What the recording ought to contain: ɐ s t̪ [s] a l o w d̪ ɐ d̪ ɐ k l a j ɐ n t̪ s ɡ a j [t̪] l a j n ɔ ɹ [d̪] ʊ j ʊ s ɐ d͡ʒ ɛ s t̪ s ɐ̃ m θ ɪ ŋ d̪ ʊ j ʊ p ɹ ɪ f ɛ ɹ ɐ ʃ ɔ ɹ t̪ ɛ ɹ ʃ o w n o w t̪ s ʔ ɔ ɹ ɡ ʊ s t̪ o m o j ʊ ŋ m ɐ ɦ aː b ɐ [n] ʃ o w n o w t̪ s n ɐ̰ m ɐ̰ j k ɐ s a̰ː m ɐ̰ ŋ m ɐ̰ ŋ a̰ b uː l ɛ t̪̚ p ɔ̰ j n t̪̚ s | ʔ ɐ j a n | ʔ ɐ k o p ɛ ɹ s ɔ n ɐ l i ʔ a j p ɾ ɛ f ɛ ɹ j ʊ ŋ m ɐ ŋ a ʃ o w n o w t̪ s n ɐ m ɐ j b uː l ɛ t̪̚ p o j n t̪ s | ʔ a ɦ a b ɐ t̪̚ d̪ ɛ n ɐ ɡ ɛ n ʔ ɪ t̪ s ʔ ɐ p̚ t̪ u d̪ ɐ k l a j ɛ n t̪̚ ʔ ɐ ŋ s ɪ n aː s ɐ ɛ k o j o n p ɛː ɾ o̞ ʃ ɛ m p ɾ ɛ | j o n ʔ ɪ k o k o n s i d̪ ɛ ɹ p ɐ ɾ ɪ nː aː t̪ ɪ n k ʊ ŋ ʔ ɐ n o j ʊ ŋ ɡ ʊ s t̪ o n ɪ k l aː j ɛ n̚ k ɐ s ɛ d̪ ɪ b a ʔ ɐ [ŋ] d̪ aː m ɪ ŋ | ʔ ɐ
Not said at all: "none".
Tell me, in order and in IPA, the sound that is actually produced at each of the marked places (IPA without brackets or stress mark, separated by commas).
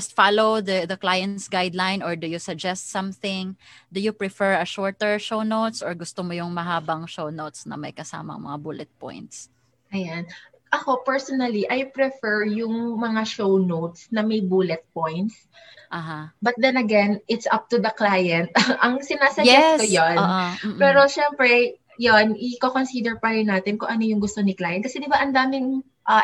f, d̪, d̪, ŋ, n